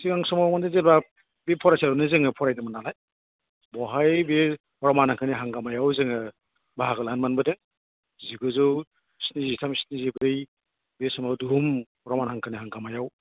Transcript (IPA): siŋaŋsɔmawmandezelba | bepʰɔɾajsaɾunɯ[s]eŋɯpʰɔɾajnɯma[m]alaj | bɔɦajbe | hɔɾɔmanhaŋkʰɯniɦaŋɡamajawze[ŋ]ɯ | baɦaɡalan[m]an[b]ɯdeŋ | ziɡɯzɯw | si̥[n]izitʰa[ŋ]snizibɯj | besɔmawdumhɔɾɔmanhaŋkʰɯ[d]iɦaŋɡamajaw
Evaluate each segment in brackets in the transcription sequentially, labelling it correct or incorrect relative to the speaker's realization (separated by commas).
incorrect, incorrect, correct, correct, correct, correct, incorrect, incorrect